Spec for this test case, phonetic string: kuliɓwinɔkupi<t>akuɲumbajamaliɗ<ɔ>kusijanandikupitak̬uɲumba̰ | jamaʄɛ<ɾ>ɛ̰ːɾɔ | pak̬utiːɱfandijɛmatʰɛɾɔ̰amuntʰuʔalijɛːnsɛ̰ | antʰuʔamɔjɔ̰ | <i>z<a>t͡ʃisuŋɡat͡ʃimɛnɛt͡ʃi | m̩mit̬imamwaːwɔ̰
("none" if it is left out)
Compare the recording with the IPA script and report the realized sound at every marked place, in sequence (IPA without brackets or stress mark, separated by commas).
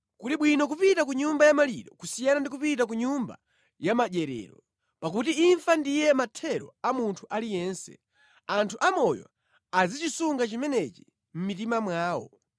t, ɔ, ɾ, a, i